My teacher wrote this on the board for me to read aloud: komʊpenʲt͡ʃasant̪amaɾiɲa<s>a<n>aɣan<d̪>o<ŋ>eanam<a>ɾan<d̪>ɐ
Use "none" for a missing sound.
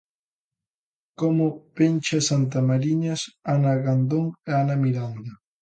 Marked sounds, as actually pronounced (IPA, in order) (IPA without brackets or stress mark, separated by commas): s, n, d̪, ŋ, i, d̪